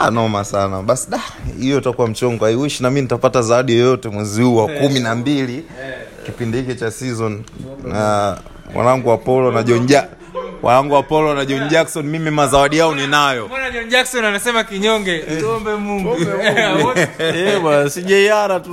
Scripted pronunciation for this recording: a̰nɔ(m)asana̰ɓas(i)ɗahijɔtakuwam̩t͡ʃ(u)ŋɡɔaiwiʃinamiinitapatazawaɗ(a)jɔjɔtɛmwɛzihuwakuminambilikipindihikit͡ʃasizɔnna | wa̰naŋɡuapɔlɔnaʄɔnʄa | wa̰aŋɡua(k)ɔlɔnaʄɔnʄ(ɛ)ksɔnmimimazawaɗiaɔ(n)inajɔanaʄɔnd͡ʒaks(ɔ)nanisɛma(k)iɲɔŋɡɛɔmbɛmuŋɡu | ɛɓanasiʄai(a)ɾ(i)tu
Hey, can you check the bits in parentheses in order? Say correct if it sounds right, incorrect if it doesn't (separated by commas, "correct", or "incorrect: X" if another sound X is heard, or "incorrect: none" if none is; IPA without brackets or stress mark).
correct, correct, incorrect: ɔ, incorrect: i, incorrect: p, incorrect: a, correct, correct, correct, correct, incorrect: a